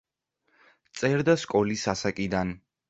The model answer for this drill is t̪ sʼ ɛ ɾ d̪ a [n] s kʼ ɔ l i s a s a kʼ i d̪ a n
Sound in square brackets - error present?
yes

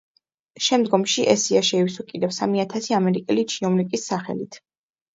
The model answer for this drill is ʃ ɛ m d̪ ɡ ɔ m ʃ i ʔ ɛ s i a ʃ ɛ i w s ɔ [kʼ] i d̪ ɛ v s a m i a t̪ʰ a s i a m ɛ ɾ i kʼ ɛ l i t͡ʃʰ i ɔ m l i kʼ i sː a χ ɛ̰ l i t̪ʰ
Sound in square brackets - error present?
no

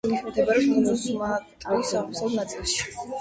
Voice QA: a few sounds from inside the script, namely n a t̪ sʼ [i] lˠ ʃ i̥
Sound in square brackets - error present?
no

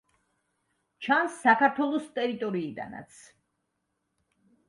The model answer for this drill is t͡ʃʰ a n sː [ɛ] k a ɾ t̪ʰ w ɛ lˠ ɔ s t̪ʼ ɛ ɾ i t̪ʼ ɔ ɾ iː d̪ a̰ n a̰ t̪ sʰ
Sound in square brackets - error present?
yes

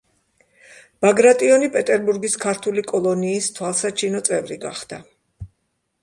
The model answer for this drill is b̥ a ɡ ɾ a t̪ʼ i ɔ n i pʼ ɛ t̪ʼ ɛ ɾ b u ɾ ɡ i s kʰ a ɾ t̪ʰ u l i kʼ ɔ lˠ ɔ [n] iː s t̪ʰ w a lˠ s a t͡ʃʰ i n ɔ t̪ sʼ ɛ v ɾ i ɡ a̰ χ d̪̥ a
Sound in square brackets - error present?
no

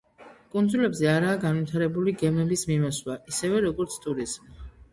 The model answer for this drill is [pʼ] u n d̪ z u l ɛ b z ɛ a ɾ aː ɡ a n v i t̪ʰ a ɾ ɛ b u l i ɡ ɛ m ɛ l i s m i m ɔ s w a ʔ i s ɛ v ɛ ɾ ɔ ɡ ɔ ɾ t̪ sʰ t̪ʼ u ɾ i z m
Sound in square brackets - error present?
yes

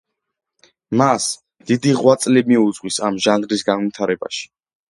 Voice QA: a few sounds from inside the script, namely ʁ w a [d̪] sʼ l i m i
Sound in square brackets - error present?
yes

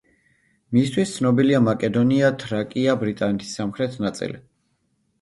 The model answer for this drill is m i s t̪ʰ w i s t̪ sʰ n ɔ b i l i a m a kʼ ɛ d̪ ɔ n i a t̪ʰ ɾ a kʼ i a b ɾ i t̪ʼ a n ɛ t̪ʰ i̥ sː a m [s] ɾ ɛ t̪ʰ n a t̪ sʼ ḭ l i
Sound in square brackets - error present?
yes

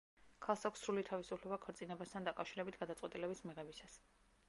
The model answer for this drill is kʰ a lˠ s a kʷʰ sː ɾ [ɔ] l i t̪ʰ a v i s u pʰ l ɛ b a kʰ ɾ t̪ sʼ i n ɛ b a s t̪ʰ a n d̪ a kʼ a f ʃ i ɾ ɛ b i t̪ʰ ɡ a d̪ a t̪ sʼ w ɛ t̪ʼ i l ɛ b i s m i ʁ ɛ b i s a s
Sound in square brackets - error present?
yes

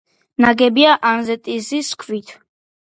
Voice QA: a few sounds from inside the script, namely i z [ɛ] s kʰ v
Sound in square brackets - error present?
yes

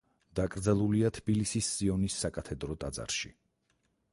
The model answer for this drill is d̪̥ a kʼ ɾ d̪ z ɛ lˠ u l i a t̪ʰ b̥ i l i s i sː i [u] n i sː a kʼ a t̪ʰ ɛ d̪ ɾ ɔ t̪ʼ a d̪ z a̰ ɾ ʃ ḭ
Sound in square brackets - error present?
yes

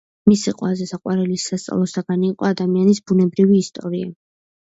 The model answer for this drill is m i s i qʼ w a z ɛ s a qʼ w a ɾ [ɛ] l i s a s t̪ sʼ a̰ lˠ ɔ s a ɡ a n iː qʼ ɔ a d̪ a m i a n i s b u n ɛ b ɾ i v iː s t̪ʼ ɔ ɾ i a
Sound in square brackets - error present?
no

